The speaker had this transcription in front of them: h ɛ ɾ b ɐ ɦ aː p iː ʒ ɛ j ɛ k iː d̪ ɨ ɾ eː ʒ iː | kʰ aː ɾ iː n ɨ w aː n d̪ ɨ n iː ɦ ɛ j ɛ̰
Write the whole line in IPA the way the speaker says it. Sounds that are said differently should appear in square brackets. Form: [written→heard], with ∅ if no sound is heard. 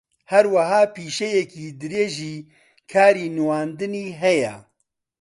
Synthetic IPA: h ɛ ɾ [b→w] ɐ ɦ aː p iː [ʒ→ʃ] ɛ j ɛ k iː d̪ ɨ ɾ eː ʒ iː | kʰ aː ɾ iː n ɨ w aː n d̪ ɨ n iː ɦ ɛ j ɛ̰